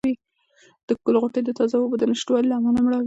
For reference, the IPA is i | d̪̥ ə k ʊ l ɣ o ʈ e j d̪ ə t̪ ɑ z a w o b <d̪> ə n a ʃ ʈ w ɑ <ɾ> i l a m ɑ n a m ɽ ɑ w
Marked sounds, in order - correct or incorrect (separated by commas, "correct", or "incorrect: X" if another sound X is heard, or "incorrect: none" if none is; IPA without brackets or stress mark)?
correct, incorrect: l